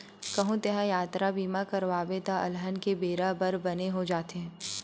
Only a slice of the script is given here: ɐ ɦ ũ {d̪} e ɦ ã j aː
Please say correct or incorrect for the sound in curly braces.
incorrect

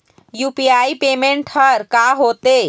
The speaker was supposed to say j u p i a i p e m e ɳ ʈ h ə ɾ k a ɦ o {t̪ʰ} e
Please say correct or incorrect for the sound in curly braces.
incorrect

